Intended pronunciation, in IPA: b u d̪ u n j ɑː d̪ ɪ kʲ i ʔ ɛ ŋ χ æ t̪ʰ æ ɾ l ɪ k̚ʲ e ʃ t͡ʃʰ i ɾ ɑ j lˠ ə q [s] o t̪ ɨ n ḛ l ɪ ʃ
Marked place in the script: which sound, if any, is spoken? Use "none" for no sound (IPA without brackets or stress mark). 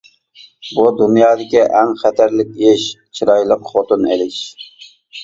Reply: χ